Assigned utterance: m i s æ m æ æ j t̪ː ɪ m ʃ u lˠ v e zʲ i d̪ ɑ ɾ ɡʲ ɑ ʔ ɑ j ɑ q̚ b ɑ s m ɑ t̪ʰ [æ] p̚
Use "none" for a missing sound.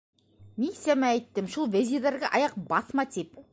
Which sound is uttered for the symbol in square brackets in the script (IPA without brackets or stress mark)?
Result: e